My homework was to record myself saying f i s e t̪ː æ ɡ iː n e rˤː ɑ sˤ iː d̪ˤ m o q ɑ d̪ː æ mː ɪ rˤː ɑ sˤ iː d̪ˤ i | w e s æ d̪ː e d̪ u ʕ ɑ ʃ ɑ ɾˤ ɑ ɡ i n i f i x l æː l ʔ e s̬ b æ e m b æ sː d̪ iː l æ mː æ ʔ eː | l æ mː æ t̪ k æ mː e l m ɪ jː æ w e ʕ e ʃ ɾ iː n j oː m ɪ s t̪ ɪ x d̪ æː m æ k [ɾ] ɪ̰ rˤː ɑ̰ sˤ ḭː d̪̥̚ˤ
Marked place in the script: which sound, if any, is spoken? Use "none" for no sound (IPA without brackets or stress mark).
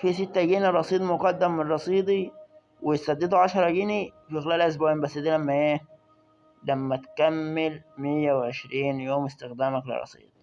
l